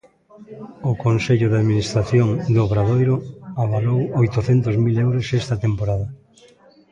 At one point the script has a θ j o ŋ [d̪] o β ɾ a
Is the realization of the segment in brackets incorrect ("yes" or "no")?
no